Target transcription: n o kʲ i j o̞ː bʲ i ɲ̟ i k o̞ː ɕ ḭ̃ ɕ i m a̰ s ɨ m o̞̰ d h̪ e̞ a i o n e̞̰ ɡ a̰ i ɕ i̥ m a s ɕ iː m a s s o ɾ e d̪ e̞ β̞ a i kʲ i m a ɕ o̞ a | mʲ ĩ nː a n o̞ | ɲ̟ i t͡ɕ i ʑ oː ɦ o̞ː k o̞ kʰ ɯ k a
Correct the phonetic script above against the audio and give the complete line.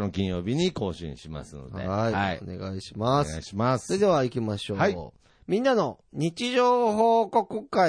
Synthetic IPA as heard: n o kʲ ĩ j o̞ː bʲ i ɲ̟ i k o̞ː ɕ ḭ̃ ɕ i m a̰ s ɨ n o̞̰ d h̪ e̞ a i o n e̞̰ ɡ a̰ i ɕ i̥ m a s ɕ i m a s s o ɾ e d̪ e̞ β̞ a i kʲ i m a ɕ o̞ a | mʲ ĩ nː a n o̞ | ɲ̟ i t͡ɕ i ʑ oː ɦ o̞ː k o̞ k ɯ k a